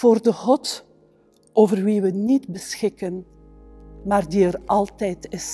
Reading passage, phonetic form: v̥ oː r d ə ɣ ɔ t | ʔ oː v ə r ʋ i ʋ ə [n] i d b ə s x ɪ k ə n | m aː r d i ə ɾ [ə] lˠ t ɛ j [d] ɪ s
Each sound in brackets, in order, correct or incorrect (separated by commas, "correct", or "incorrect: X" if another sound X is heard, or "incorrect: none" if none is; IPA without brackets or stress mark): correct, incorrect: ɑ, incorrect: t